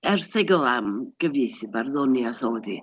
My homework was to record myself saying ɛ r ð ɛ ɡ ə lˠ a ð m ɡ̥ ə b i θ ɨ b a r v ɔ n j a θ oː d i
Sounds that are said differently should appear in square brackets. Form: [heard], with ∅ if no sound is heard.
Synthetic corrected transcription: ɛ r [θ] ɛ ɡ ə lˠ a [∅] m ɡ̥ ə [v] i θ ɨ b a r [ð] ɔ n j a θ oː d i